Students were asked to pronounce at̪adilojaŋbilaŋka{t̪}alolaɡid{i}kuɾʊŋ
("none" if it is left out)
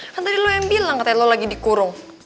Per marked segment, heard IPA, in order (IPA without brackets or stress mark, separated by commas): t̪, i